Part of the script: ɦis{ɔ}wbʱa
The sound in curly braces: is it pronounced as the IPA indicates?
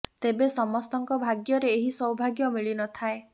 yes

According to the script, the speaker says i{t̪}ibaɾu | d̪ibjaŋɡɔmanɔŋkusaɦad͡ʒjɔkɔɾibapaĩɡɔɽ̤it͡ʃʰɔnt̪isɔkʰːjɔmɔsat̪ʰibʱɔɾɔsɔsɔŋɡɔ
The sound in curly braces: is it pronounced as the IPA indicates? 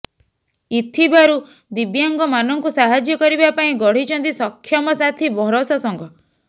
no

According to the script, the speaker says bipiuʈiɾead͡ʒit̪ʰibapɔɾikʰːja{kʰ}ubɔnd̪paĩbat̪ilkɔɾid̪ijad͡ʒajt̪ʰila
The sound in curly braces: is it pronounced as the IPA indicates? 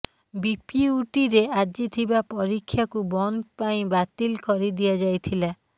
no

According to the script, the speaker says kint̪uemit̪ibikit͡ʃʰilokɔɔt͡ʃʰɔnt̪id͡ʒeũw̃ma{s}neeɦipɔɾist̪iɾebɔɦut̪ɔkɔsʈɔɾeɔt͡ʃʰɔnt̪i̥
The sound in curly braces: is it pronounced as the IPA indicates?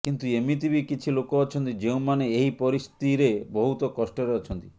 no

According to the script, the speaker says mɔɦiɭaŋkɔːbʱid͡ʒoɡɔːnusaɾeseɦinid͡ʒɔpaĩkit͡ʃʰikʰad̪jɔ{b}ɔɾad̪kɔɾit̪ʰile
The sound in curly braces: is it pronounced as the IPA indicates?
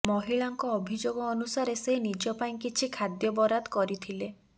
yes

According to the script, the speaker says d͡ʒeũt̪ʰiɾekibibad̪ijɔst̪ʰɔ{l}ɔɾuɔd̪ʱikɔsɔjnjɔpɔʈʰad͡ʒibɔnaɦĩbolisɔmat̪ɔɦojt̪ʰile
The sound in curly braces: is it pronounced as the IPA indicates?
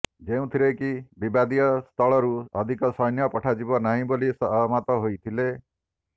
no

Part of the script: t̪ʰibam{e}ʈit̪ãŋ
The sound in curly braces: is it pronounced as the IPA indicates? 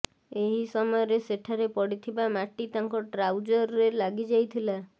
no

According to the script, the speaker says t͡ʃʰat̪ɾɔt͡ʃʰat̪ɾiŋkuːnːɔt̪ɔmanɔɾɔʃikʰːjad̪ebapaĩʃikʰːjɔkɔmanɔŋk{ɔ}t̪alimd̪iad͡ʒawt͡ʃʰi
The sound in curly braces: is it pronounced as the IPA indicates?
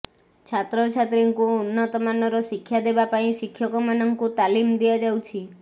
no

